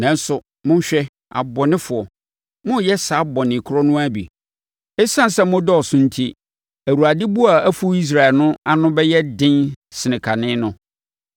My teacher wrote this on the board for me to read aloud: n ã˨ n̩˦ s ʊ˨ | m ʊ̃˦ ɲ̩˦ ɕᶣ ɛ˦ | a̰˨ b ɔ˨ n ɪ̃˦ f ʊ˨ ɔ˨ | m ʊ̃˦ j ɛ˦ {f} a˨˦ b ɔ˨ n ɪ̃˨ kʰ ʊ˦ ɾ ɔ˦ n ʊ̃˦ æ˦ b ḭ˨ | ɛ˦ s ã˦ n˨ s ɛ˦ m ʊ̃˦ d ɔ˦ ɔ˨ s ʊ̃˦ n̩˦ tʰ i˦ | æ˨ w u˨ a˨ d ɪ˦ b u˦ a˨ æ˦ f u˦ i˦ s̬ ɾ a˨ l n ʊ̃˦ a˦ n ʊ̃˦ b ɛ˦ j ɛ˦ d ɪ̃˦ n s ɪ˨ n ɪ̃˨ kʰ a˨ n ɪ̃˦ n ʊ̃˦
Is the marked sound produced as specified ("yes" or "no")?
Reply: no